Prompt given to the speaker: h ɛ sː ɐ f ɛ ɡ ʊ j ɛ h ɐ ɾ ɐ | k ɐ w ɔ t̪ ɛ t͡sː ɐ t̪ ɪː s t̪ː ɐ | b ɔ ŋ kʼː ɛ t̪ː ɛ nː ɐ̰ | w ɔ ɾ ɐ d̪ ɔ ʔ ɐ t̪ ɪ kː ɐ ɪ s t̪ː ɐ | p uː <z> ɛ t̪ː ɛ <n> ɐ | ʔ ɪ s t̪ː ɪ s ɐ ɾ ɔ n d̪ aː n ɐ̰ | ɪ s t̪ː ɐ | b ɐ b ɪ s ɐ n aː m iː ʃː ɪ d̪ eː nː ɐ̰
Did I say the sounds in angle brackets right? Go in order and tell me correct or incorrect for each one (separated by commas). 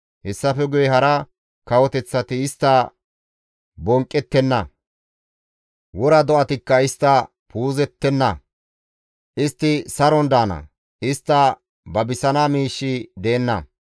correct, incorrect